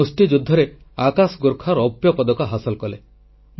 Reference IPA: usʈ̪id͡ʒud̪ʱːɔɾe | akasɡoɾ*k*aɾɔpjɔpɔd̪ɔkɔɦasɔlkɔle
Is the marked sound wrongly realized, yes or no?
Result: yes